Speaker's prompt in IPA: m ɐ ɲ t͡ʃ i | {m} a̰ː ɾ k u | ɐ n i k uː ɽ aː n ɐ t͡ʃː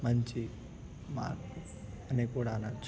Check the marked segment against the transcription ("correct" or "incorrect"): correct